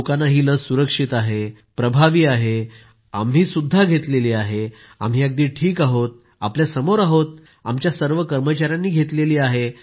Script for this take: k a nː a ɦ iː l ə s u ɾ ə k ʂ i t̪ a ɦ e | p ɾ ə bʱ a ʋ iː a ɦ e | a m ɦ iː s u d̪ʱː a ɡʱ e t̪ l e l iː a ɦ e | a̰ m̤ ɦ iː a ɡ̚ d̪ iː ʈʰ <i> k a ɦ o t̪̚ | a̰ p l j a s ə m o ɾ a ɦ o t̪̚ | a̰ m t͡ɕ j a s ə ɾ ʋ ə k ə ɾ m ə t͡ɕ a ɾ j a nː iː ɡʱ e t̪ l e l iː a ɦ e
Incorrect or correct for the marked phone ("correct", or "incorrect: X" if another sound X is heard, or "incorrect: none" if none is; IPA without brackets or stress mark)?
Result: incorrect: iː